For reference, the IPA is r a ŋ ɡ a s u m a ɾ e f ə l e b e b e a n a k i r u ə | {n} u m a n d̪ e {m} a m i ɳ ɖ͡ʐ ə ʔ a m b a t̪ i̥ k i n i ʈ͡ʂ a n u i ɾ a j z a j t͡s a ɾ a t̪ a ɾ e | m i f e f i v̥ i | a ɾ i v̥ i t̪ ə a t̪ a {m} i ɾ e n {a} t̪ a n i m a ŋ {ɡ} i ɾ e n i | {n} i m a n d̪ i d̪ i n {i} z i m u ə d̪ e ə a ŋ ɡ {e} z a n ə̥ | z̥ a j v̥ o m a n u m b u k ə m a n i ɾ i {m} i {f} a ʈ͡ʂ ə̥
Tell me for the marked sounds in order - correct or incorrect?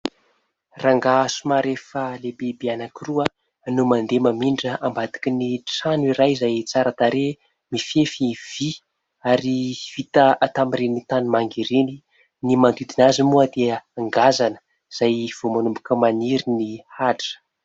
correct, correct, correct, incorrect, correct, correct, incorrect, incorrect, incorrect, incorrect

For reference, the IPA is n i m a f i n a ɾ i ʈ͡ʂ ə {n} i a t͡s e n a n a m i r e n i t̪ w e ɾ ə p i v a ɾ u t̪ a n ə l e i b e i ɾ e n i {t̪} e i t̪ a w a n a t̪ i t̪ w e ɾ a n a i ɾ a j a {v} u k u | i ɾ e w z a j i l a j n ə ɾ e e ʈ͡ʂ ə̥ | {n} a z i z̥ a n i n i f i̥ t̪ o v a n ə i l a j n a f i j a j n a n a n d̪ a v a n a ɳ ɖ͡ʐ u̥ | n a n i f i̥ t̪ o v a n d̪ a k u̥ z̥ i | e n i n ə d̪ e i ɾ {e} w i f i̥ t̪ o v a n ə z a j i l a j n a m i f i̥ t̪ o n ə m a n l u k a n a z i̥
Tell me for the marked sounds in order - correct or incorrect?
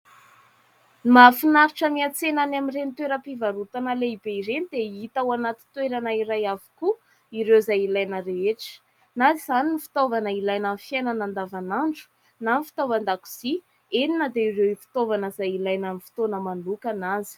incorrect, incorrect, correct, correct, correct

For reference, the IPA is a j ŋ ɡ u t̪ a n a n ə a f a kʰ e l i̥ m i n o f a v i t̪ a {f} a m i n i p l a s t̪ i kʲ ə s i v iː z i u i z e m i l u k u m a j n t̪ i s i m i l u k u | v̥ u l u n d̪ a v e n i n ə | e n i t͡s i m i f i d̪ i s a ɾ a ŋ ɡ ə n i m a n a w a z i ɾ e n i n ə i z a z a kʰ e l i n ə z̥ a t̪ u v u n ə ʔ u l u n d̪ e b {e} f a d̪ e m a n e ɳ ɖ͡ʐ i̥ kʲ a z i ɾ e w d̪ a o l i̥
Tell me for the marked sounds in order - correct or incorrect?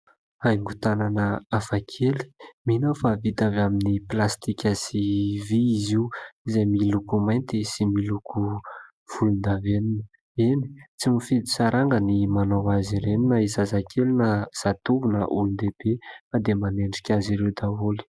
incorrect, correct

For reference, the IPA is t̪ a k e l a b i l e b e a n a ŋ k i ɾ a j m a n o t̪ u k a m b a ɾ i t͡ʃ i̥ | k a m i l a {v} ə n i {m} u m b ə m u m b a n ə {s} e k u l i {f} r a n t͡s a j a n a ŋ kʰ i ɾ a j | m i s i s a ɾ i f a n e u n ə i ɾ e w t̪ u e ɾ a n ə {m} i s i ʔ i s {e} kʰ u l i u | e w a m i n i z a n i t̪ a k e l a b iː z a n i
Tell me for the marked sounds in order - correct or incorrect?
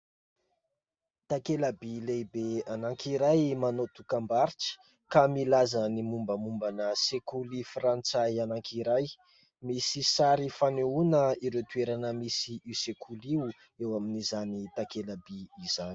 incorrect, correct, correct, correct, correct, correct

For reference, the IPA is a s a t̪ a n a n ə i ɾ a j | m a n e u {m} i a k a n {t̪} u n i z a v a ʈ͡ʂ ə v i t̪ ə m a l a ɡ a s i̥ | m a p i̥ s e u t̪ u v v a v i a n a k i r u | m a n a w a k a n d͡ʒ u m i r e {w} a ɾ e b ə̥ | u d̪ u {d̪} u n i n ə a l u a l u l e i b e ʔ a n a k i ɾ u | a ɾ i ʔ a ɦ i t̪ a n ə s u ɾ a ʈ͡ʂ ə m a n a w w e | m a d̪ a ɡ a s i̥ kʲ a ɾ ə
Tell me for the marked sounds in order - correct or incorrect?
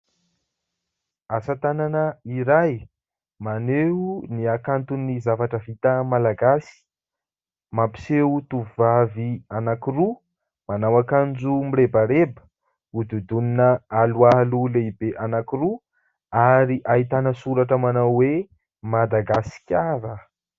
incorrect, correct, incorrect, correct

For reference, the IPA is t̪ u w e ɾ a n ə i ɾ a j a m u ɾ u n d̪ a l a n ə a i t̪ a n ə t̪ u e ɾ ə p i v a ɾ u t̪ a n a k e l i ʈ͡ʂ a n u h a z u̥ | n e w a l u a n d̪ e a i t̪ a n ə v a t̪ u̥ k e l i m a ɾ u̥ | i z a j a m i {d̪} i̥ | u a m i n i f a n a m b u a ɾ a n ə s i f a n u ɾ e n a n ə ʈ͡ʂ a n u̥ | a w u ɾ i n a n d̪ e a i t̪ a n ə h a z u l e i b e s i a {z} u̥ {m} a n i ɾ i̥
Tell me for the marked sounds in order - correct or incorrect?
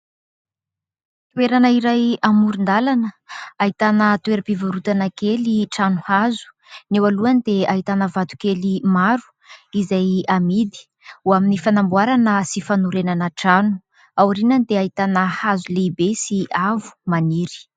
correct, incorrect, correct

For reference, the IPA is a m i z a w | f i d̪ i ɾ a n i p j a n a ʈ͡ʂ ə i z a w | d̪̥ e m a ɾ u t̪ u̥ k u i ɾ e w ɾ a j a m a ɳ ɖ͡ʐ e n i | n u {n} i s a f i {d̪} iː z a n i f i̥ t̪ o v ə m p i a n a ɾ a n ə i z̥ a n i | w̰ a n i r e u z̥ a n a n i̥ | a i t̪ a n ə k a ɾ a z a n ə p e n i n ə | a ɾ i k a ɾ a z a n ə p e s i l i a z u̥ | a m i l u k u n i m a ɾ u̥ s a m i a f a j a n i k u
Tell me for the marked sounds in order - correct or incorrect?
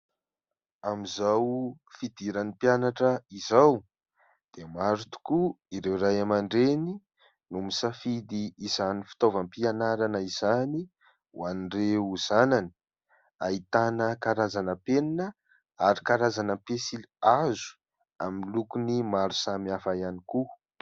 incorrect, correct

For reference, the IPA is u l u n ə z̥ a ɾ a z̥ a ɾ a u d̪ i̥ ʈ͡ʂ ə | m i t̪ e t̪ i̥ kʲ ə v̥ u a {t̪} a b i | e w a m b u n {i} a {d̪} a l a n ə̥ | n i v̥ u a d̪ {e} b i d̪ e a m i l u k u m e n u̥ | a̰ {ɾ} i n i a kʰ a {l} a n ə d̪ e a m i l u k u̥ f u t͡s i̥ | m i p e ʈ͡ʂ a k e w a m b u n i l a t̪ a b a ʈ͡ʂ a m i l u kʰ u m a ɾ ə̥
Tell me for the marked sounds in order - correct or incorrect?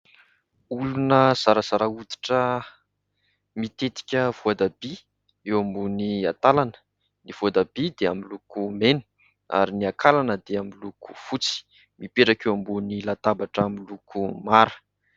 incorrect, correct, incorrect, incorrect, correct, correct

